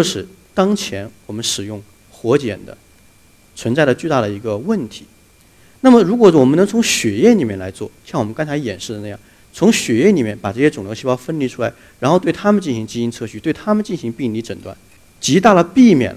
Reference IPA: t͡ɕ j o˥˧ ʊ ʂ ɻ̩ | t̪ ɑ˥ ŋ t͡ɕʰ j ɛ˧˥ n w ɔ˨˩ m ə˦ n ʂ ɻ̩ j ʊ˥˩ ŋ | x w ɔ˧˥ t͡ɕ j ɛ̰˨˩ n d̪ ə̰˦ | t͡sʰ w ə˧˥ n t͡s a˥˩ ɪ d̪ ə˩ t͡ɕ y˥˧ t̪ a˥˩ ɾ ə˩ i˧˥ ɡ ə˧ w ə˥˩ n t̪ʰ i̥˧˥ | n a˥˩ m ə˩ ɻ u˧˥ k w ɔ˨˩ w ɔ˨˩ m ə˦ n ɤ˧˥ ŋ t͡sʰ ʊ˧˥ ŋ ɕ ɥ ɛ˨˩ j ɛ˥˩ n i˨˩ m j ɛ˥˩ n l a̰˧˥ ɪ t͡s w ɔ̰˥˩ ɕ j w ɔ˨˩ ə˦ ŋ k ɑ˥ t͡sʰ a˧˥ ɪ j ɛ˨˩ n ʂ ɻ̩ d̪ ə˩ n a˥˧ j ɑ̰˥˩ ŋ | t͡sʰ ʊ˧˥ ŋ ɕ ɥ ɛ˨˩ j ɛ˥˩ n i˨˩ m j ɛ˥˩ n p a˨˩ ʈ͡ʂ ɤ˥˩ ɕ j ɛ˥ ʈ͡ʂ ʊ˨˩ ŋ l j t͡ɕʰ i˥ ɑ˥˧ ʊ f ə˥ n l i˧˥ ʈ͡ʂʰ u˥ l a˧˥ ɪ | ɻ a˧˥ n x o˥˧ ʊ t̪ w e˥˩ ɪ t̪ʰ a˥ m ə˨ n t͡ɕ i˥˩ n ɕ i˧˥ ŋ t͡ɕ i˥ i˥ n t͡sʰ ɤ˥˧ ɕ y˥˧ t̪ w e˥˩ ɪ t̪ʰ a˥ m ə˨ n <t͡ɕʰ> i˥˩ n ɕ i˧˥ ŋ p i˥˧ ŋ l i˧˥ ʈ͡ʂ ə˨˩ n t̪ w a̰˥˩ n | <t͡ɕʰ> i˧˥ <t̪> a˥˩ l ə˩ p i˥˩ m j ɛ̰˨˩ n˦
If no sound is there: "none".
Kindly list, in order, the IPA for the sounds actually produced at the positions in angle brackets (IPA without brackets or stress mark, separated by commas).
t͡ɕ, t͡ɕ, t̪